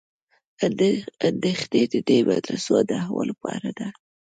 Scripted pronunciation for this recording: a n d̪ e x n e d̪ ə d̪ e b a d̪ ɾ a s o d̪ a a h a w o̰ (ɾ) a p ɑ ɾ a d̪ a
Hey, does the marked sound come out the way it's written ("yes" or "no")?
no